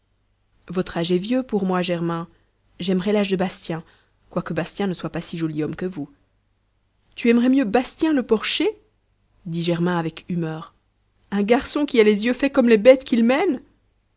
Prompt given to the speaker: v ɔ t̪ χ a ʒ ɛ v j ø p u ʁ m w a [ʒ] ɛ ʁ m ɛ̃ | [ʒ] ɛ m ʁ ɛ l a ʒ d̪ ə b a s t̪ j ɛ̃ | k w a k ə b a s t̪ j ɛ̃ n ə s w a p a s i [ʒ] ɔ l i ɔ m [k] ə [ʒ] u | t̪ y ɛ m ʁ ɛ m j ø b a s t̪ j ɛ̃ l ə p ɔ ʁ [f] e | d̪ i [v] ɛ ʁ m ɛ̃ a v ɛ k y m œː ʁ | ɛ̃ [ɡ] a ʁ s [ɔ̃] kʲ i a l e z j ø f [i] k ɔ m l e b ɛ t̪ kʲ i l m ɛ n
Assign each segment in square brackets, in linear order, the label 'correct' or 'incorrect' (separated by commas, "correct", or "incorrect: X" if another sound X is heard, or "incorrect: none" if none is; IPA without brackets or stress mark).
correct, correct, correct, correct, incorrect: v, incorrect: ʃ, incorrect: ʒ, correct, correct, incorrect: ɛ